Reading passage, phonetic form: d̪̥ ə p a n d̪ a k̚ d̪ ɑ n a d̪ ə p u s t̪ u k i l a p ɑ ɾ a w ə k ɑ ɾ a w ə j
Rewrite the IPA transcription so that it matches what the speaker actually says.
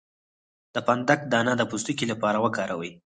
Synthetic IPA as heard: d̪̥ ə p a n d̪ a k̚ d̪ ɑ n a d̪ ə p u s t̪ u k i l a p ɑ ɾ a w ə k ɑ ɾ a w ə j